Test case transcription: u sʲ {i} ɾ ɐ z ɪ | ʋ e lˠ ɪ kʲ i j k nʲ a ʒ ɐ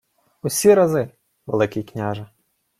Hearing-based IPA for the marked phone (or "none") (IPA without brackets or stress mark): i